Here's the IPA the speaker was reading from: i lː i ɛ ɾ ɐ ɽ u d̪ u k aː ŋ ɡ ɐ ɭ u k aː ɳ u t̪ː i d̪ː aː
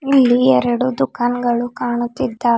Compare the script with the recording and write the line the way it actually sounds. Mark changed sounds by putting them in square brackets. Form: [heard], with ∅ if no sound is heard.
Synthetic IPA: i lː i ɛ ɾ ɐ ɽ u d̪ u k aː [n] ɡ ɐ ɭ u k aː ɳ u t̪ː i d̪ː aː